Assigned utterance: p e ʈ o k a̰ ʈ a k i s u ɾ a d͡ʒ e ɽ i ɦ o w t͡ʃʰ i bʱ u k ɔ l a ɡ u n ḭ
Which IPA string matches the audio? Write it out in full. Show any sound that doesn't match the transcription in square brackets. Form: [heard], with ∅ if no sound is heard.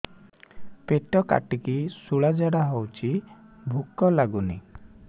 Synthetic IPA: p e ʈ [ɔ] k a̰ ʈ [i] k i s u [ɭ] a d͡ʒ [a] ɽ [a] ɦ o w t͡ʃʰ i bʱ u k ɔ l a ɡ u n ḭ